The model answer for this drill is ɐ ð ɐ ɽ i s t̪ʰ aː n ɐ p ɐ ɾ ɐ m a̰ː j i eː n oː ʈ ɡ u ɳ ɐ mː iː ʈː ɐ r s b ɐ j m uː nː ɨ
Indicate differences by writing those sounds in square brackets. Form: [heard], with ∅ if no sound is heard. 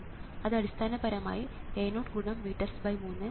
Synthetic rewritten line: ɐ ð ɐ ɽ i s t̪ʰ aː n ɐ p ɐ ɾ ɐ m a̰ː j i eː n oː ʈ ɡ u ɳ ɐ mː iː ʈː ɐ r s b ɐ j m uː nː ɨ